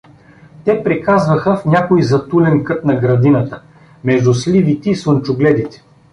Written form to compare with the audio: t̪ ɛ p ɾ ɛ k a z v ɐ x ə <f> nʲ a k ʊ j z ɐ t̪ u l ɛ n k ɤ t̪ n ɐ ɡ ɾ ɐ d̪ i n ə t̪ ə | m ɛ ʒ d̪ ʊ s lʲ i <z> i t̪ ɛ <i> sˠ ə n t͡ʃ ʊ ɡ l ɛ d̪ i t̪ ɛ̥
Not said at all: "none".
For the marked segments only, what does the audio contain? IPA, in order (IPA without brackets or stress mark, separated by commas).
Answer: f, v, i